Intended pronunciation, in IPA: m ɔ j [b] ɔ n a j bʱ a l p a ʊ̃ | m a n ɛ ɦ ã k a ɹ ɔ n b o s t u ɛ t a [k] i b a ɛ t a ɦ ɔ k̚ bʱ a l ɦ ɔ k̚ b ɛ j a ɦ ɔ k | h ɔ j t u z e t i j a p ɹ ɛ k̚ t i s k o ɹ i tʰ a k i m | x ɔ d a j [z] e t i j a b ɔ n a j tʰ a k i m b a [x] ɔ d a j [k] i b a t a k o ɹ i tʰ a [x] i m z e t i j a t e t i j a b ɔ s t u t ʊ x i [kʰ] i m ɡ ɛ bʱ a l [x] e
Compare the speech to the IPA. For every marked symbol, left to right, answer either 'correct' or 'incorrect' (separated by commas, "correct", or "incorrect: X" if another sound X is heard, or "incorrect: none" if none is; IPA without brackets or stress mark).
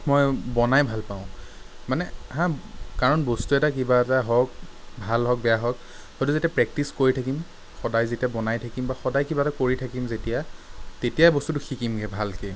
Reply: correct, correct, correct, correct, correct, incorrect: k, incorrect: k, incorrect: k